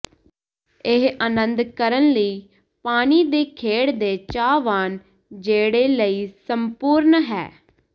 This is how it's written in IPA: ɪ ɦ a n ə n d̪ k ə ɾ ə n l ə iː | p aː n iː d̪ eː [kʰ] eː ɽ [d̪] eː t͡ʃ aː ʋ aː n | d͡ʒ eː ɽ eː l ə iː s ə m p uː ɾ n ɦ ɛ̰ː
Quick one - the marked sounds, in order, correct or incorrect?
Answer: correct, correct

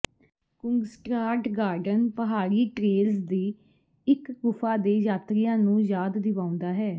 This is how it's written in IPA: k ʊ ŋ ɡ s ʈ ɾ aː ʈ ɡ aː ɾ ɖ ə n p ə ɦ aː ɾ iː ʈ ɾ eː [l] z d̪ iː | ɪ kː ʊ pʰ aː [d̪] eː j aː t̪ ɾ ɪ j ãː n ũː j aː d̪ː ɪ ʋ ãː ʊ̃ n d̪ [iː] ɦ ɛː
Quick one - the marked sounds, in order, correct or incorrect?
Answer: correct, correct, incorrect

